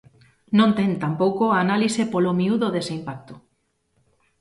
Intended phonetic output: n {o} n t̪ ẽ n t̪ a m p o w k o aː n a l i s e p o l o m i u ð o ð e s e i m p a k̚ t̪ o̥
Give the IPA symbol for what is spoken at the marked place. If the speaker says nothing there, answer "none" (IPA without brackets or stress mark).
õ